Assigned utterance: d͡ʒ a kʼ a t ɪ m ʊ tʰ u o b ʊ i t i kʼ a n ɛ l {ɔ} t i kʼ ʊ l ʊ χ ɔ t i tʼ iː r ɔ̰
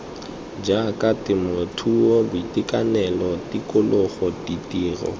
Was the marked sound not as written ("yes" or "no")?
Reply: no